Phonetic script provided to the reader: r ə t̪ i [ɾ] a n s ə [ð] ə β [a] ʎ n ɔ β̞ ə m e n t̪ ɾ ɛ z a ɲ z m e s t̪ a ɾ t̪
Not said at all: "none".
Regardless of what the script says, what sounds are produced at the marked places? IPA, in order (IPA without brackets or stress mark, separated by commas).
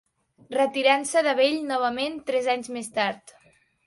ɾ, ð, e